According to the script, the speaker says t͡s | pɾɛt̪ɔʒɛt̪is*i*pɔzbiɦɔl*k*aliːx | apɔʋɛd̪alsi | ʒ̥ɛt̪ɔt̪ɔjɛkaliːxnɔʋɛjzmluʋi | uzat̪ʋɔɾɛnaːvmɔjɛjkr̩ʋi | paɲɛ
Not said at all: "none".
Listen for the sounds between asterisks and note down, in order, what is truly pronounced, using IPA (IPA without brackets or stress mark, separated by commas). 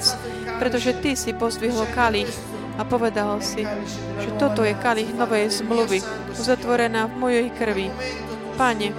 i, k